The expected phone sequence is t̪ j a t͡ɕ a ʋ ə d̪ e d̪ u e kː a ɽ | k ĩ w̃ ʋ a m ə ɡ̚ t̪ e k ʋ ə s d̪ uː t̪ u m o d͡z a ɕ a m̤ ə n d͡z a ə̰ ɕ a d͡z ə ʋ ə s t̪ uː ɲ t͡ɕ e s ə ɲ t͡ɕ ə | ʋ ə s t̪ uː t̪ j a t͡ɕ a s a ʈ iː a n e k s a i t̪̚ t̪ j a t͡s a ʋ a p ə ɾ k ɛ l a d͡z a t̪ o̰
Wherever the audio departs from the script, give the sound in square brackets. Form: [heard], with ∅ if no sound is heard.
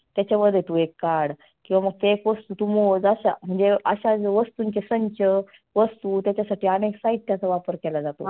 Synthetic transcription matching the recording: t̪ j a t͡ɕ a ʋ ə d̪ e [t̪] u e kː a ɽ | k ĩ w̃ ʋ a m ə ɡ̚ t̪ e k ʋ ə s [t̪] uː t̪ u m o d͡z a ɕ a m̤ ə [ɳ] d͡z [e] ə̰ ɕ a d͡z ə ʋ ə s t̪ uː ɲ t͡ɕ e s ə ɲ t͡ɕ ə | ʋ ə s t̪ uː t̪ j a t͡ɕ a s a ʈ iː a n e k s a i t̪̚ t̪ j a t͡s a ʋ a p ə ɾ k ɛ l a d͡z a t̪ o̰